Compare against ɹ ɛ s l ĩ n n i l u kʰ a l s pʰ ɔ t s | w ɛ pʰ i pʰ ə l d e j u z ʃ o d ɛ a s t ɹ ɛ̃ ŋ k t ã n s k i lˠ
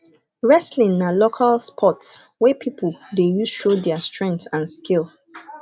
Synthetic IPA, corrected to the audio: ɹ ɛ s l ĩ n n a l o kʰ a l s pʰ ɔ t s | w ɛ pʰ i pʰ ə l d e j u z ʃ o d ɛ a s t ɹ ɛ̃ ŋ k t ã n s k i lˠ